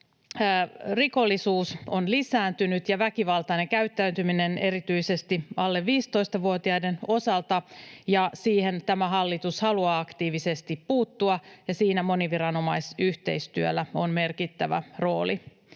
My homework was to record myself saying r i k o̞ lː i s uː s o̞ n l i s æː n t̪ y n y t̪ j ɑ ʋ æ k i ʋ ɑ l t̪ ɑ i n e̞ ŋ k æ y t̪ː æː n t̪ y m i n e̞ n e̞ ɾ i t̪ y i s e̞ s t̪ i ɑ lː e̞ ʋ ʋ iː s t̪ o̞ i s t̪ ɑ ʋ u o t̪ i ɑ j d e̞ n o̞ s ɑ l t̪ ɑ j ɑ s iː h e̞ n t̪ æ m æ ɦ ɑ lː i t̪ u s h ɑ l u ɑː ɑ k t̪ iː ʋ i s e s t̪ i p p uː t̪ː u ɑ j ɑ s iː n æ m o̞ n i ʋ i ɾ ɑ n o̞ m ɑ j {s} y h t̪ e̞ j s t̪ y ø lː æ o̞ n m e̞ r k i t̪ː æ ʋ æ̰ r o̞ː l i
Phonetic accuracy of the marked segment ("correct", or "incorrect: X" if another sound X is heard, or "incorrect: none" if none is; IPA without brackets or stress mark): correct